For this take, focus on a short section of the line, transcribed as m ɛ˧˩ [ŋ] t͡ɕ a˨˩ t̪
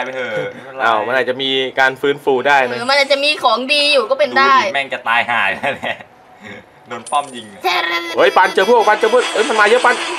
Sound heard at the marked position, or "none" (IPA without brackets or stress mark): ŋ